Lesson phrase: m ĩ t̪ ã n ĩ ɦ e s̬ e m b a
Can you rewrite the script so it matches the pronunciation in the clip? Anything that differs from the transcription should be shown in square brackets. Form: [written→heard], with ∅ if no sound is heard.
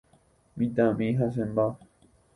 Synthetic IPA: m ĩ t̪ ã [n→m] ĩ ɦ [e→a] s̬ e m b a